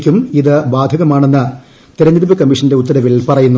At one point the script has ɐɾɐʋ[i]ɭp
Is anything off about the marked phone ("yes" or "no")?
no